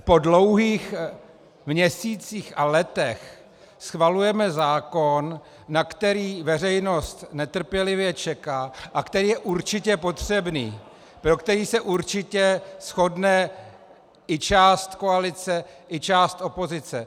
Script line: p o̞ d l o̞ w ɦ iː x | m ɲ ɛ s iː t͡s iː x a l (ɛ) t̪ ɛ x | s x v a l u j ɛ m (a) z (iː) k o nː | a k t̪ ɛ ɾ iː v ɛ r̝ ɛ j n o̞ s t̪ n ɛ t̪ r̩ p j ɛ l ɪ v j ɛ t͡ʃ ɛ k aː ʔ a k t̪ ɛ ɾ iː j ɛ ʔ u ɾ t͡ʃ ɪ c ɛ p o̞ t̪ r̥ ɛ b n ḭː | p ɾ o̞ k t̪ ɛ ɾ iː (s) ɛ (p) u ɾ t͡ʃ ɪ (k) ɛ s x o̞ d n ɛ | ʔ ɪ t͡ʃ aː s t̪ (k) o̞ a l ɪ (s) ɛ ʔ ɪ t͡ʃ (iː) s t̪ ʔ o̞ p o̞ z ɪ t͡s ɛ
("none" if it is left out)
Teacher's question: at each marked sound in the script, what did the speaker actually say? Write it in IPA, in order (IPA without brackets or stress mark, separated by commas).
ɛ, ɛ, aː, s, ʔ, c, k, t͡s, aː